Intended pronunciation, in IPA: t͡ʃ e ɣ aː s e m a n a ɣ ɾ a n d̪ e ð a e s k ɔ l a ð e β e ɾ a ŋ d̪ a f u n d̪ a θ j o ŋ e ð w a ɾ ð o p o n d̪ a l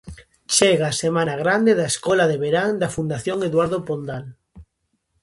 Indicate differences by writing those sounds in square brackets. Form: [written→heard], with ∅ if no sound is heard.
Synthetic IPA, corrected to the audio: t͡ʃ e ɣ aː s e m a n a ɣ ɾ a n d̪ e ð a e s k ɔ l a ð e β e ɾ a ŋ d̪ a f u n d̪ a θ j o ŋ e ð w a ɾ ð o p o n d̪ a l